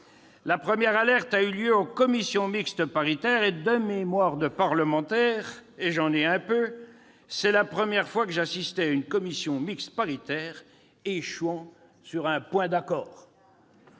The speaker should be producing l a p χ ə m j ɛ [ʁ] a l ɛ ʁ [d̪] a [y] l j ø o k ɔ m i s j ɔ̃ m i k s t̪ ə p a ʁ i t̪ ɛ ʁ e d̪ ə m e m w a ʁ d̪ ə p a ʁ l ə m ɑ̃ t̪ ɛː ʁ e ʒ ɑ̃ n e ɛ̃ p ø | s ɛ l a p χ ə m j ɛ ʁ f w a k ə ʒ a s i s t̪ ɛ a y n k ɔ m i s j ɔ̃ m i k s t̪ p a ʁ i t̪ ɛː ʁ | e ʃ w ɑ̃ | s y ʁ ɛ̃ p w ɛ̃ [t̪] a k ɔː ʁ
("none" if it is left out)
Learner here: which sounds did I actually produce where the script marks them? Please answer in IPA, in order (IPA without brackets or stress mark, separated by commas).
ʁ, t̪, y, d̪